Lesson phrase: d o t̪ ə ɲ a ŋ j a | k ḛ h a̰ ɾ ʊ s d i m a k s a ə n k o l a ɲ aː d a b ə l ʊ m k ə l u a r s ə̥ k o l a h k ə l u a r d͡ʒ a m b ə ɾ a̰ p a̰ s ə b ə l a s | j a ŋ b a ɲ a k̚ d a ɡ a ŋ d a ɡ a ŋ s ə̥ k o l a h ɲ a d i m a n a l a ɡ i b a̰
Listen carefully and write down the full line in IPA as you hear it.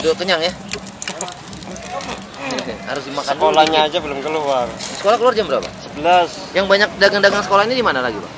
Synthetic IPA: d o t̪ ə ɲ a ŋ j a | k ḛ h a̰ ɾ ʊ s d i m a k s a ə n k o l a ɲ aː d͡ʒ a b ə l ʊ m k ə l u a r s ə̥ k o l a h k ə l u a r d͡ʒ a m b ə ɾ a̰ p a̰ s ə b ə l a s | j a ŋ b a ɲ a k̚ d a ɡ a ŋ d a ɡ a ŋ s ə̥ k o l a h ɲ a d i m a n a l a ɡ i b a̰